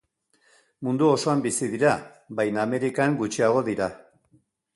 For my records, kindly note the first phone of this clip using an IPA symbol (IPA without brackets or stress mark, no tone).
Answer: m